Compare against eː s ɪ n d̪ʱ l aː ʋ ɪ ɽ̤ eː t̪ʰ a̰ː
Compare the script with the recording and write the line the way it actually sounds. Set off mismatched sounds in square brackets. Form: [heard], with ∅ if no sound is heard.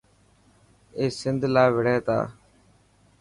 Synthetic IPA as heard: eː s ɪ n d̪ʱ l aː ʋ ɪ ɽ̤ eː [t̪] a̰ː